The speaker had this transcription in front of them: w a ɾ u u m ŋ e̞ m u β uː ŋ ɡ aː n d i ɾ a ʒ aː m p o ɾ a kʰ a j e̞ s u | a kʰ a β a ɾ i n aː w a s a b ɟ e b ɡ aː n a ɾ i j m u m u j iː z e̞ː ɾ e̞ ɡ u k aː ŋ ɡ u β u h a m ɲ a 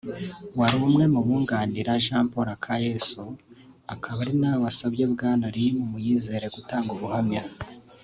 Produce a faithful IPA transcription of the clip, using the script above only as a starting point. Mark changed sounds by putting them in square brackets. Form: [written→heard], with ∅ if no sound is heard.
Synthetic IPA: w a ɾ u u m ŋ e̞ m u β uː ŋ ɡ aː n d i ɾ a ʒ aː m p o ɾ a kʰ a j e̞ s u | a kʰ a β a ɾ i n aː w a s a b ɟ e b ɡ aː n a ɾ i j m u m u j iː z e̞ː ɾ e̞ ɡ u [k→t] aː ŋ ɡ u β u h a m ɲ a